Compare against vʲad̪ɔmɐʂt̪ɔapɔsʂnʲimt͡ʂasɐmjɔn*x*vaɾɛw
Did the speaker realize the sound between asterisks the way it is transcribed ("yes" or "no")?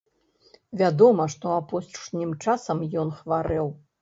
yes